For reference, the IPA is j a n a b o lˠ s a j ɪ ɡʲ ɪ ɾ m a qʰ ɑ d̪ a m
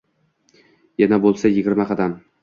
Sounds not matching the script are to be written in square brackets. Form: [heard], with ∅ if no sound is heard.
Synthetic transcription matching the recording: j a n a b o lˠ s a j ɪ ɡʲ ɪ ɾ m a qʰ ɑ d̪ a m